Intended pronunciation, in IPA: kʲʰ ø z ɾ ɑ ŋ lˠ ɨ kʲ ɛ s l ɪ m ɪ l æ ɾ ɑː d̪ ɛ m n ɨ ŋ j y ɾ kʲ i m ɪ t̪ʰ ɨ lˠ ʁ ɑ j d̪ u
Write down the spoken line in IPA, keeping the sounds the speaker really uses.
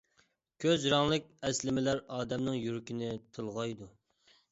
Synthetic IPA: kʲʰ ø z ɾ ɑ ŋ lˠ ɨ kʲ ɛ s l ɪ m ɪ l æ ɾ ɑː d̪ ɛ m n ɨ ŋ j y ɾ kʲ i n ɪ t̪ʰ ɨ lˠ ʁ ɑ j d̪ u